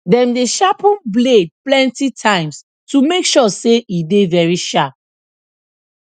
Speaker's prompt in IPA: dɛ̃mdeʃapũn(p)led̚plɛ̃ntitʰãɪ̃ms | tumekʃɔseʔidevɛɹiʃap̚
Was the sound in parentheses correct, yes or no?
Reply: no